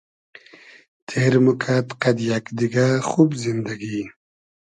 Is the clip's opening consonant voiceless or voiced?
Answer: voiceless